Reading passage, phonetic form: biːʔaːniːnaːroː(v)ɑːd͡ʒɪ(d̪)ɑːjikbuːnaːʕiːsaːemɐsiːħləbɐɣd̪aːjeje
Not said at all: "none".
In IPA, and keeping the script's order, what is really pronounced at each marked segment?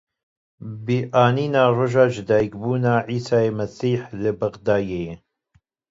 ʒ, d̪

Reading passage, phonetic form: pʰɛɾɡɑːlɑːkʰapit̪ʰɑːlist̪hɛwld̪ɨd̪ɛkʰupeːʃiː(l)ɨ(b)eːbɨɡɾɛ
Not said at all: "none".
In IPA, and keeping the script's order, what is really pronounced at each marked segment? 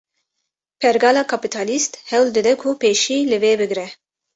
l, v

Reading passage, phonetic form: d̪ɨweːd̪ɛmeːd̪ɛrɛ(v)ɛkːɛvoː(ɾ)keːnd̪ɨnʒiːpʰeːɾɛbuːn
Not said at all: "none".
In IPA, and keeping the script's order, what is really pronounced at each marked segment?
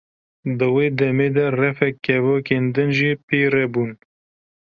f, none

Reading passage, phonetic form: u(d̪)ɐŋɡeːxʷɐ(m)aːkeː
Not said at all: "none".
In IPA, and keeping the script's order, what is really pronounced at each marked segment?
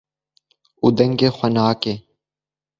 d̪, n

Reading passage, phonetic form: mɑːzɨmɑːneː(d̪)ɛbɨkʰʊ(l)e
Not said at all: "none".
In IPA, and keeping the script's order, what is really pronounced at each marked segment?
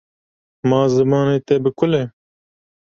t̪, l

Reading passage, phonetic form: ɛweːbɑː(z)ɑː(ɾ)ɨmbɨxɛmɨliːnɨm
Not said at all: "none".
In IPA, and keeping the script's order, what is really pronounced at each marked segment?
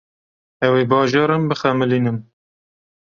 ʒ, ɾ

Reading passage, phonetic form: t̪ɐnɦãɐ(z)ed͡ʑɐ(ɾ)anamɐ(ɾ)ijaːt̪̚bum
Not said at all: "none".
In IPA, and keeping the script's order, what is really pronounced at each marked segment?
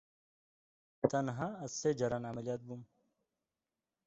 s, ɾ, l

